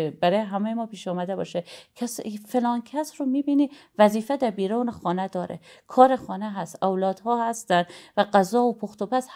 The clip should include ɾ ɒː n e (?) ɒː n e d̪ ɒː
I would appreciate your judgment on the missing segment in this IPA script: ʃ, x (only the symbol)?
x